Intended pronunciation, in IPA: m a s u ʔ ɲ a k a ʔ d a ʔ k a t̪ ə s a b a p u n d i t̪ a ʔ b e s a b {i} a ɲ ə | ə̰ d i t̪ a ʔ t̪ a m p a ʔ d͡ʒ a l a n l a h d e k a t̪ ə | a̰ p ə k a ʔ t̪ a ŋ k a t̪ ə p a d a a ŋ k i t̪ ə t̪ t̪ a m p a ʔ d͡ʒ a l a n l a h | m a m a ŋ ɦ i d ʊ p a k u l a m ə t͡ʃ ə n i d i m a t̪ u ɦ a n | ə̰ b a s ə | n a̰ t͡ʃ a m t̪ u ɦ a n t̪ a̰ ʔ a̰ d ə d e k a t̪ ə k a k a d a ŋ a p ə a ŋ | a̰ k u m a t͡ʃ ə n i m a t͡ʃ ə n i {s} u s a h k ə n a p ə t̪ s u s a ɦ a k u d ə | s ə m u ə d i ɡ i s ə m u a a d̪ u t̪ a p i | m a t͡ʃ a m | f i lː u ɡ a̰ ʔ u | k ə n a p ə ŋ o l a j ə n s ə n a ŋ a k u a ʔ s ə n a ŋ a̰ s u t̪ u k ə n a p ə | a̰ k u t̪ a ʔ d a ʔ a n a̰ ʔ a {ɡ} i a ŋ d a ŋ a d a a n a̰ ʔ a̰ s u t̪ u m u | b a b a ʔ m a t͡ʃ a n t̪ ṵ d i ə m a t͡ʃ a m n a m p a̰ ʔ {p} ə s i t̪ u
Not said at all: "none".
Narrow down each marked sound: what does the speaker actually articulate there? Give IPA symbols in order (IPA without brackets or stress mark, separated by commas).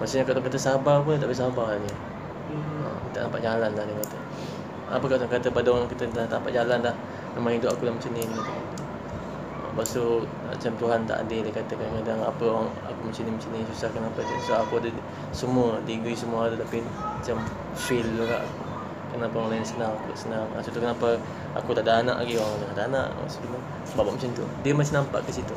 a, s, ɡ, k